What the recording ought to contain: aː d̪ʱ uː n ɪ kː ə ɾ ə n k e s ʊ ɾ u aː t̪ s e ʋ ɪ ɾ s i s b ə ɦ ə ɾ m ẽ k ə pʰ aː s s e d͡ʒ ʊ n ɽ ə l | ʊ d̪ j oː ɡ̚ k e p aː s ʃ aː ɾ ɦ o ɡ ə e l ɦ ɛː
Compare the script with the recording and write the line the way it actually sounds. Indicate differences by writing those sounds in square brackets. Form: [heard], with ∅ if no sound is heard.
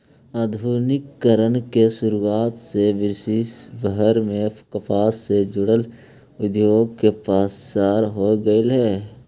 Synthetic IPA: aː d̪ʱ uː n ɪ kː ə ɾ ə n k e s ʊ ɾ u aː t̪ s e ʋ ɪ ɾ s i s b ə ɦ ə ɾ m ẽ k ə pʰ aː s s e d͡ʒ ʊ [∅] ɽ ə l | ʊ d̪ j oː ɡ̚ k e p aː s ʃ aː ɾ ɦ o ɡ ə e l ɦ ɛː